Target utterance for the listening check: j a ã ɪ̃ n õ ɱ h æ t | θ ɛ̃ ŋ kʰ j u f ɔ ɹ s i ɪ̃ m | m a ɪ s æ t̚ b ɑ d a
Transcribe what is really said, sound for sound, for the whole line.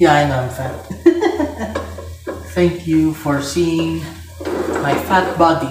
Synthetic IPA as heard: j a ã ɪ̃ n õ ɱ f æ t | θ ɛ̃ ŋ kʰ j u f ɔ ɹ s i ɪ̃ ŋ | m a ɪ f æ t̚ b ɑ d i